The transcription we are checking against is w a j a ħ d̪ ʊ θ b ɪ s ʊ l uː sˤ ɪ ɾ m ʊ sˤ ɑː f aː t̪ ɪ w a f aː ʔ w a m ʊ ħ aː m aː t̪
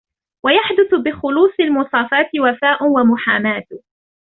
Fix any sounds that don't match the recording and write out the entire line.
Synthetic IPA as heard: w a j a ħ d̪ ʊ θ b ɪ x ʊ l uː sˤ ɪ l m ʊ sˤ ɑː f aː t̪ ɪ w a f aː ʔ w a m ʊ ħ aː m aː t̪